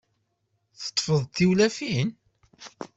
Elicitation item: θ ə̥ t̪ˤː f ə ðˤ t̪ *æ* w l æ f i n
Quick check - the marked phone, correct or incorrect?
incorrect